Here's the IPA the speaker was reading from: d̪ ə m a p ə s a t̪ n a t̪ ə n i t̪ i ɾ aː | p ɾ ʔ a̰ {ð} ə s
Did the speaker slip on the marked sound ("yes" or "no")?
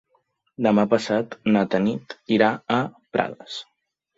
no